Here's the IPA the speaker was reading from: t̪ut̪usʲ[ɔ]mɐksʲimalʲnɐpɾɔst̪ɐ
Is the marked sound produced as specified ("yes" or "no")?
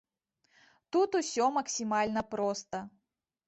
yes